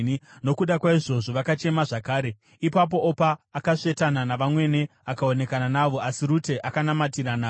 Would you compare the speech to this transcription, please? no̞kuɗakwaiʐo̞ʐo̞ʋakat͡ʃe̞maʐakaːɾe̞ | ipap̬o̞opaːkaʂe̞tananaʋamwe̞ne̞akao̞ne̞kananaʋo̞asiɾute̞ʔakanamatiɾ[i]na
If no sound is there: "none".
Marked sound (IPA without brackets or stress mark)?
a